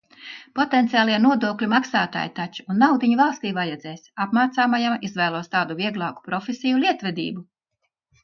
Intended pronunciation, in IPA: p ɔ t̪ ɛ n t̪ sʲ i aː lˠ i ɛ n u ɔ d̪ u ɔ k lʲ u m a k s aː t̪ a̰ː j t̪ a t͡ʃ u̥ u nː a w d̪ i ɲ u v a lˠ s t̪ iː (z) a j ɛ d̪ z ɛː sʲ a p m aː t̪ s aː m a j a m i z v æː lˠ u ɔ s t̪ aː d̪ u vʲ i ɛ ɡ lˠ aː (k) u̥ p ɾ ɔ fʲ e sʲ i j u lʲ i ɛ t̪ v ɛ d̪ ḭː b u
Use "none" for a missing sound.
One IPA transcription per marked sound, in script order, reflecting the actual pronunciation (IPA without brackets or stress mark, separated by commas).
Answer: v, k